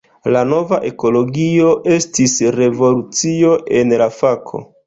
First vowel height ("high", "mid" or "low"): low